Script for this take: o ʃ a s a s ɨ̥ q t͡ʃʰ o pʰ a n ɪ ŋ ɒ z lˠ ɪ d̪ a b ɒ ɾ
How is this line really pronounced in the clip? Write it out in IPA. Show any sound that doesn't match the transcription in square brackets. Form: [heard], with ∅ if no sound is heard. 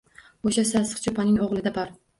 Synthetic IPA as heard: o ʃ a s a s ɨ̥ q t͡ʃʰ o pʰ a n ɪ ŋ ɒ [ʁ] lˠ ɪ d̪ a b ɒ ɾ